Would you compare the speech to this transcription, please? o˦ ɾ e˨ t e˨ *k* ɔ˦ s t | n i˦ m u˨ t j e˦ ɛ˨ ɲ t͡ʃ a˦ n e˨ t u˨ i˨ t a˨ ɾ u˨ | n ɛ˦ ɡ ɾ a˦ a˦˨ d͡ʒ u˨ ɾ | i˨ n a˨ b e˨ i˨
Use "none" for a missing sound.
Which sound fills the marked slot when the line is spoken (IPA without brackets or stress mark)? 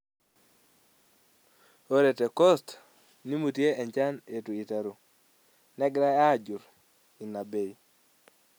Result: k